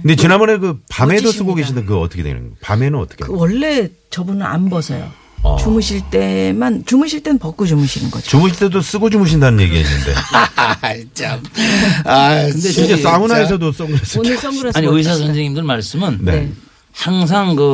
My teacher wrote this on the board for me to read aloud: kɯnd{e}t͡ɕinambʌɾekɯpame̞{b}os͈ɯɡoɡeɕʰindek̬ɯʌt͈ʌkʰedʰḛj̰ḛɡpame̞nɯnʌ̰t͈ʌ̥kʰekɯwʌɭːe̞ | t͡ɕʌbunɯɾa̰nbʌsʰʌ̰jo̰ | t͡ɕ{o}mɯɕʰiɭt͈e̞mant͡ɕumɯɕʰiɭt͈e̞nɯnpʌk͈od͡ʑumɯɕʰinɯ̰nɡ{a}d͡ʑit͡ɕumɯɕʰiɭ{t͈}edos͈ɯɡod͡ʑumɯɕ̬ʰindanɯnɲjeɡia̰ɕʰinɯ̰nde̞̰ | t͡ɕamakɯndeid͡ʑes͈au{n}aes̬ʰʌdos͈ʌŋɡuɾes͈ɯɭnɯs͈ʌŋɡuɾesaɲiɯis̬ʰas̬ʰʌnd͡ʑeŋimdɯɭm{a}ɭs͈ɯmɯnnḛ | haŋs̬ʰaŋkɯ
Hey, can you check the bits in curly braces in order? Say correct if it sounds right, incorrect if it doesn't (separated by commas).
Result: correct, incorrect, incorrect, incorrect, correct, correct, correct